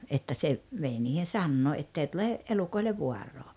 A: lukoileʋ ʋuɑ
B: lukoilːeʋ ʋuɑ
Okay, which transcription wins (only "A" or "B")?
A